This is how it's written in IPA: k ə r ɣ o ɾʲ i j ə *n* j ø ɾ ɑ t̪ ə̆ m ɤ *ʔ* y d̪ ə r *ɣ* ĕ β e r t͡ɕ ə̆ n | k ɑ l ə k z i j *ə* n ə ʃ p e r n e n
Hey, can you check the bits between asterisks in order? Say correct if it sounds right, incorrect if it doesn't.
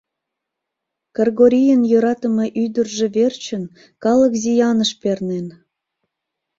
correct, correct, incorrect: ʒ, incorrect: ɑ

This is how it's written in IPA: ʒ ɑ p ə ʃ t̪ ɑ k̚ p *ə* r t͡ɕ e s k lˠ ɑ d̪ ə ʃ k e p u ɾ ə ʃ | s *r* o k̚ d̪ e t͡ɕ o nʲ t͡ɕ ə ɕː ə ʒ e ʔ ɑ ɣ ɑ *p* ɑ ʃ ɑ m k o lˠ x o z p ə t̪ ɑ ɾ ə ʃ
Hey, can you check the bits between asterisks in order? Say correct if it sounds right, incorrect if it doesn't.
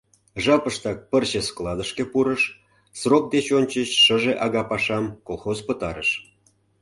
correct, correct, correct

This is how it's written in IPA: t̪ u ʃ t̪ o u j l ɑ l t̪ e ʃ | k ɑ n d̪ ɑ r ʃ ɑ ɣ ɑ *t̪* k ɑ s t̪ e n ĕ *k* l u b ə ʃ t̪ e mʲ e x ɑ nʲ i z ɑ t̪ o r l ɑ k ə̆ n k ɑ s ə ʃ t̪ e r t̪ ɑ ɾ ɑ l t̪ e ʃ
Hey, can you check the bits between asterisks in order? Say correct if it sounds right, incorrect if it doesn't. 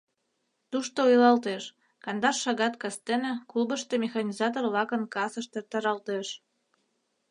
correct, correct

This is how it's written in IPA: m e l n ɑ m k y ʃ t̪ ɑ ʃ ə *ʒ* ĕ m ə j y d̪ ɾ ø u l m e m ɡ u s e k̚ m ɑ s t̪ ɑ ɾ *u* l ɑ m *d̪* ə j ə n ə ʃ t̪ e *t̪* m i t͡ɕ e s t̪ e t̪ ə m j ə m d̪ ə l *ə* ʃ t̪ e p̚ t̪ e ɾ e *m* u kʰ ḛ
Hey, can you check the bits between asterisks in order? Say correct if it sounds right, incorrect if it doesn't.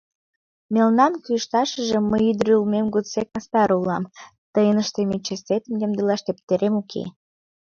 correct, correct, incorrect: t̪, incorrect: none, incorrect: ɑ, correct

